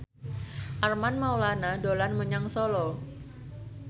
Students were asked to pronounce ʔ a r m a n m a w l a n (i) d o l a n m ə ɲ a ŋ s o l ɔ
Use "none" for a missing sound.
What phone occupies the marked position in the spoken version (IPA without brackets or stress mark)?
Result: a